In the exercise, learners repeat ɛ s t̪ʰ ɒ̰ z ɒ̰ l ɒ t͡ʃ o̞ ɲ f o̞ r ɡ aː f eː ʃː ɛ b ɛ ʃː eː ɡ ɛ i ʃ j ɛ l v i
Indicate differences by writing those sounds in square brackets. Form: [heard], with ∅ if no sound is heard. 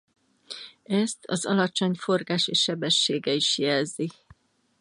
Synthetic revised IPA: ɛ s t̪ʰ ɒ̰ z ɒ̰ l ɒ t͡ʃ o̞ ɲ f o̞ r ɡ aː [ʃ] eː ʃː ɛ b ɛ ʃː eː ɡ ɛ i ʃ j ɛ l [z] i